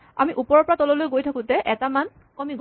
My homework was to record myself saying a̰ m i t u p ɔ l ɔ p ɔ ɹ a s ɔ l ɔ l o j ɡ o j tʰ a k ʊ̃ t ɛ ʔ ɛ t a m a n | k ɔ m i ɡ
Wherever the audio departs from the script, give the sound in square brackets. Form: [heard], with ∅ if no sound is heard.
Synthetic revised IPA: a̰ m i [ʔ] u p ɔ [ɹ] ɔ p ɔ ɹ a [t] ɔ l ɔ l o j ɡ o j tʰ a k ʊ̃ t ɛ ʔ ɛ t a m a n | k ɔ m i ɡ